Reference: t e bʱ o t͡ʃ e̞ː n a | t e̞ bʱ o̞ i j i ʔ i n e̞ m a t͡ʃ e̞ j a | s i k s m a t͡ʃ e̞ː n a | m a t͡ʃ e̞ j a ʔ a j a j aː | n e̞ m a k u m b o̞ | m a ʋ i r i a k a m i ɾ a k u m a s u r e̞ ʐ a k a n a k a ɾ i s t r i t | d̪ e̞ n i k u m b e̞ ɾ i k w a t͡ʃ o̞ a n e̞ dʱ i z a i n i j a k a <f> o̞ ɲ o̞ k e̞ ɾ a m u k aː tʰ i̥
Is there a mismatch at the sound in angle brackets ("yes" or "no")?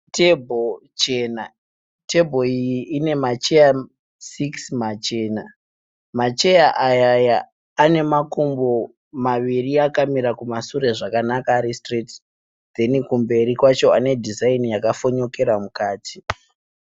no